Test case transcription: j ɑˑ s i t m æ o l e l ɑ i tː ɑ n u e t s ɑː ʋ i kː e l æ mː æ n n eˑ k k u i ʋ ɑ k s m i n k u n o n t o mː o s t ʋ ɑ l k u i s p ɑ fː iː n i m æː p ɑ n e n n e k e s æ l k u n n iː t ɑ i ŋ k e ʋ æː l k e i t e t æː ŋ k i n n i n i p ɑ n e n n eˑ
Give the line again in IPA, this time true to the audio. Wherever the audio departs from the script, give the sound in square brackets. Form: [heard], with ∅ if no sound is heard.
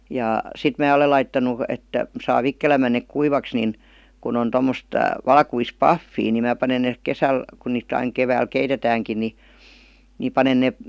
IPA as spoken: j ɑˑ s i t m [æː] o l e l ɑ i tː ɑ n u e t s ɑː ʋ i kː e l æ mː æ n n eˑ k k u i ʋ ɑ k s [n] i n k u n o n t o mː o s t ʋ ɑ l k u i s p ɑ fː iː n i m æː p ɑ n e n n e k e s æ l k u n n iː t ɑ i ŋ k e ʋ æː l k e i t e t æː ŋ k i n n i n i p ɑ n e n n eˑ

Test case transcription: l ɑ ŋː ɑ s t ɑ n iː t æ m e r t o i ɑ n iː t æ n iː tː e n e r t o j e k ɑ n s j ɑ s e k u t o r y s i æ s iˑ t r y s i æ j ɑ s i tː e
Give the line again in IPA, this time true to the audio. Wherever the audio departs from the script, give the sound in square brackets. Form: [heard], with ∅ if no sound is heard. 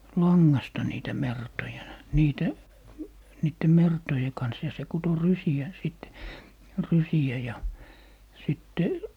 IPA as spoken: l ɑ ŋː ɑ s t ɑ n iː t æ m e r t o [j] ɑ n iː t æ n iː tː e [m] e r t o j e k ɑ n s j ɑ s e k u t o r y s i æ s iˑ t r y s i æ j ɑ s i tː e

